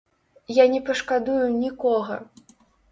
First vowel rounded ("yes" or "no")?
no